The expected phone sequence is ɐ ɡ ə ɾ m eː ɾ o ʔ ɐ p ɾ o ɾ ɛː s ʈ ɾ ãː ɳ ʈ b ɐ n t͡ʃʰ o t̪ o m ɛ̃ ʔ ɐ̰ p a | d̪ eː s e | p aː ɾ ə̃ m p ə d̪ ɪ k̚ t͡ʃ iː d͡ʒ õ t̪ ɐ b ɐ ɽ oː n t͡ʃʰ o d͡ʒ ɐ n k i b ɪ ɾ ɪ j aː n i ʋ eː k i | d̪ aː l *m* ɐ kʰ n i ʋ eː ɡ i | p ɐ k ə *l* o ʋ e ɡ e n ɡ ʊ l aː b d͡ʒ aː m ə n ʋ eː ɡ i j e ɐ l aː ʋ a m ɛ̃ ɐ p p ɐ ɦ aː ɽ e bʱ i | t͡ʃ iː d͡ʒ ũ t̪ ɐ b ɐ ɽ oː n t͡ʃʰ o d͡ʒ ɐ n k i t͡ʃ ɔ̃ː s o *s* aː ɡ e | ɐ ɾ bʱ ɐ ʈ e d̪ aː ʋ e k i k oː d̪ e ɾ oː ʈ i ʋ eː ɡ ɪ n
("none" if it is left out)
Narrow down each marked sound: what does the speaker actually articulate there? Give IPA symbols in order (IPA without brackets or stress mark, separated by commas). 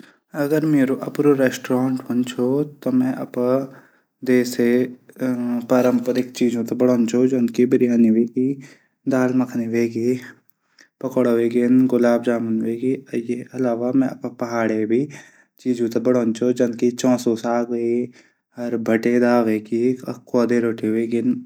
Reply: m, ɽ, s